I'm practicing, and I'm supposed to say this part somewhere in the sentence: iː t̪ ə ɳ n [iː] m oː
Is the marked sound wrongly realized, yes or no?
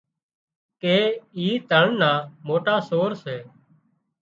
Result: yes